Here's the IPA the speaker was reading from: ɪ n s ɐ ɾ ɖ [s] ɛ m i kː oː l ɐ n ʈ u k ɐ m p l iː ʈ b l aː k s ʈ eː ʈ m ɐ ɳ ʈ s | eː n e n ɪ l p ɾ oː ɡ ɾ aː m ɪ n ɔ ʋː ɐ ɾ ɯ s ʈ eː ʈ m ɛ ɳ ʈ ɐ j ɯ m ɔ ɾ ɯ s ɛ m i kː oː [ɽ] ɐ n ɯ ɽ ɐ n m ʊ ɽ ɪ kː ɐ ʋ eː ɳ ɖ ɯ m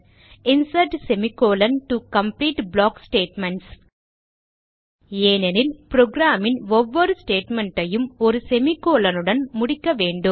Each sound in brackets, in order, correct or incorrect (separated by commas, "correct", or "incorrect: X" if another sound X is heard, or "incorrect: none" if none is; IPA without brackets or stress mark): correct, incorrect: l